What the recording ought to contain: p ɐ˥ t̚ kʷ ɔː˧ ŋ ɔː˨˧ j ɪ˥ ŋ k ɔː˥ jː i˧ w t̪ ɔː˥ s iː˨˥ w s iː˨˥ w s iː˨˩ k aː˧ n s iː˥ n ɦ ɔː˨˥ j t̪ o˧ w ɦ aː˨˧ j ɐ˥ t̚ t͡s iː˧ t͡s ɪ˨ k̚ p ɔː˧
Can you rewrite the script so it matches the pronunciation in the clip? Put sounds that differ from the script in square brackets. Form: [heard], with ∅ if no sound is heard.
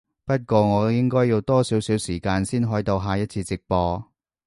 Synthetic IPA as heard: p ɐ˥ t̚ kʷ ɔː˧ ŋ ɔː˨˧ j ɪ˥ ŋ k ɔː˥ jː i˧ w t̪ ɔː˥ s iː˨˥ w s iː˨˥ w s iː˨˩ k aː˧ n s iː˥ n ɦ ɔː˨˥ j t̪ o˧ w ɦ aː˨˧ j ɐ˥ t̚ [t͡sʰ] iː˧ t͡s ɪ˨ k̚ p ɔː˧